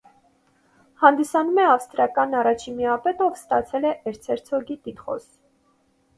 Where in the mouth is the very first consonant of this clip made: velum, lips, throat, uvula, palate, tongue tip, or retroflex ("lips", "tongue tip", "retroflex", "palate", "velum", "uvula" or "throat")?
throat